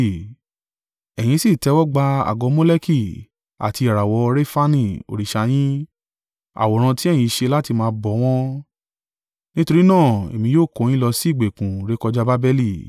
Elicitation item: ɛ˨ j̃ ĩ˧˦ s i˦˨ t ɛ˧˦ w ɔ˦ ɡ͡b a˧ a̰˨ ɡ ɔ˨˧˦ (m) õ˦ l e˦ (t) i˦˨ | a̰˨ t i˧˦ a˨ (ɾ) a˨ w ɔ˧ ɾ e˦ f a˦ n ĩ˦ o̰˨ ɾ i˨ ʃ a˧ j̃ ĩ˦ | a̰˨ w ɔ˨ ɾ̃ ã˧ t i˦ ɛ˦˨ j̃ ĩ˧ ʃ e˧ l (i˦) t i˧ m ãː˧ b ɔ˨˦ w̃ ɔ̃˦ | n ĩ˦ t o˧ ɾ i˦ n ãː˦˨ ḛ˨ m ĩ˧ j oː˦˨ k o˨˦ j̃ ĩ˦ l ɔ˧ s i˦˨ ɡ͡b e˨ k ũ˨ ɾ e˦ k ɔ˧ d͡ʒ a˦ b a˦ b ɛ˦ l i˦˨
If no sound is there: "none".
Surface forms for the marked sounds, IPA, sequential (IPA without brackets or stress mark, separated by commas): m, k, ɾ, a˦